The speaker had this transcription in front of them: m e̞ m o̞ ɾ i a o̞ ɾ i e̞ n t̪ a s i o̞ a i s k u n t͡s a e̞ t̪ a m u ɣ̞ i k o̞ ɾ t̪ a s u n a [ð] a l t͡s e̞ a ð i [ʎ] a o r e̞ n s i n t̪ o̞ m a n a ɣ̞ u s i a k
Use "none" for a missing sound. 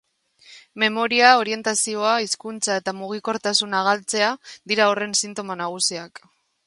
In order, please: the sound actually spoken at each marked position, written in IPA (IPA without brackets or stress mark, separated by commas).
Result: ɣ, ɾ